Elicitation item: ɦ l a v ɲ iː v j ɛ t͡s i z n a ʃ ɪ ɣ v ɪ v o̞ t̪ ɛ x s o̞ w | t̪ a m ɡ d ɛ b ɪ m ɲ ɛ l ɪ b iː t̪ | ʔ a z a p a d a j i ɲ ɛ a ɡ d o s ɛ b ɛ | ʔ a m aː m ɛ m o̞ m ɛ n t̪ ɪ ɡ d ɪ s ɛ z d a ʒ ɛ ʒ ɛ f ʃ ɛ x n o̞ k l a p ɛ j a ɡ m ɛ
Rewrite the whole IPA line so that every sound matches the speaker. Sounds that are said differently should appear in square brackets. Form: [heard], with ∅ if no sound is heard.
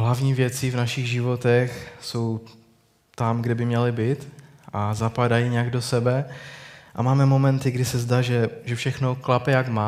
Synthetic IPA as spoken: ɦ l a v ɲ iː v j ɛ t͡s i [v] n a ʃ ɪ ɣ [ʒ] ɪ v o̞ t̪ ɛ x s o̞ w | t̪ a m ɡ d ɛ b ɪ m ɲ ɛ l ɪ b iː t̪ | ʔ a z a p a d a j i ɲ ɛ a ɡ d o s ɛ b ɛ | ʔ a m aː m ɛ m o̞ m ɛ n t̪ ɪ ɡ d ɪ s ɛ z d a ʒ ɛ ʒ ɛ f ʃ ɛ x n o̞ k l a p ɛ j a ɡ m [a]